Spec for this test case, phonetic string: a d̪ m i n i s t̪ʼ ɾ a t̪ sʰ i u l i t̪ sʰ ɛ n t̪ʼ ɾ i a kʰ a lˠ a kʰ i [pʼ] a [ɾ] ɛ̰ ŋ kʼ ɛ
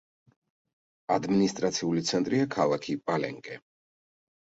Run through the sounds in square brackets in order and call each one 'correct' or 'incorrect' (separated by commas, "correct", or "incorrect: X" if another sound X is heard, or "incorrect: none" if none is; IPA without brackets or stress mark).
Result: correct, incorrect: l